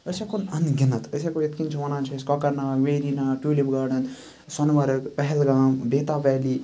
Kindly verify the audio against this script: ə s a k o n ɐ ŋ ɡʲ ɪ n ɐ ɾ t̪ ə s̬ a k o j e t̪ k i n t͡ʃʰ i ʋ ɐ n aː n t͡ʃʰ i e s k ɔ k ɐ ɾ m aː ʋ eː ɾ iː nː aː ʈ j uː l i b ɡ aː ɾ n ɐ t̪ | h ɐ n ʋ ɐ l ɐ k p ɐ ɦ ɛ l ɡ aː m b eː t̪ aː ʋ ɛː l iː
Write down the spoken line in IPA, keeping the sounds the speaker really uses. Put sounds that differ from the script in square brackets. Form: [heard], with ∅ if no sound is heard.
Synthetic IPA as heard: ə s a k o n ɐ [n] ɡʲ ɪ n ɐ [∅] t̪ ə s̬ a k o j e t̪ k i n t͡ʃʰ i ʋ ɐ n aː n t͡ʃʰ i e s k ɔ k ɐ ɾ [n] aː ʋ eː ɾ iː [n] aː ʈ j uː l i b ɡ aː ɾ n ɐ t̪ | [s] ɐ n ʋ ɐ [ɾ] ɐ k p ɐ ɦ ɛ l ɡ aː m b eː t̪ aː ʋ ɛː l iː